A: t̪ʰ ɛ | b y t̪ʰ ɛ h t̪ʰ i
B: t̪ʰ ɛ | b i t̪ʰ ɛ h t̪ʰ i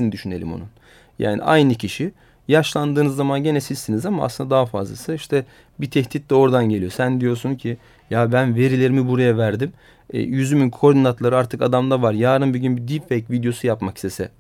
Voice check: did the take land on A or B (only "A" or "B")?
B